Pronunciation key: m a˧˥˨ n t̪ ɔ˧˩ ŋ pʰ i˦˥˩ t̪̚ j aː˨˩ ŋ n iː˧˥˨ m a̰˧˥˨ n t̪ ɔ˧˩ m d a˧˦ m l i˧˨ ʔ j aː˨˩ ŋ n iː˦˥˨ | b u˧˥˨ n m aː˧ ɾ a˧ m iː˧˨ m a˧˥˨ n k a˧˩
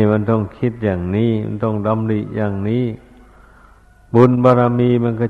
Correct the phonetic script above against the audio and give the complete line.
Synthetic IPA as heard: m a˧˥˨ n t̪ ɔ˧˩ ŋ kʰ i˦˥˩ t̪̚ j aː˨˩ ŋ n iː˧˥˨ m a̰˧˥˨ n t̪ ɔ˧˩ ŋ d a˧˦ m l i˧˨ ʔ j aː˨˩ ŋ n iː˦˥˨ | b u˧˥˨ n b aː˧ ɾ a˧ m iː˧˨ m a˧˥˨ n k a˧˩